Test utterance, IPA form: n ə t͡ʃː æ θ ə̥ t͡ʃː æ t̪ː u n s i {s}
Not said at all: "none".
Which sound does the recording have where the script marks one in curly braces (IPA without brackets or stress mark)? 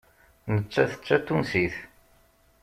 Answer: θ